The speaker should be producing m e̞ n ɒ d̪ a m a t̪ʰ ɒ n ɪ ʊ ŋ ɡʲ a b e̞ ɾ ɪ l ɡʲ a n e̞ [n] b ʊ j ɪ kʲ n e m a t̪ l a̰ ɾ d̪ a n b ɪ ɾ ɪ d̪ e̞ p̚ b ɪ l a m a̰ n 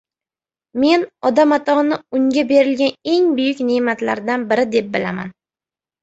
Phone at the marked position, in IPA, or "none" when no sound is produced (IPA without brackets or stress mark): ŋ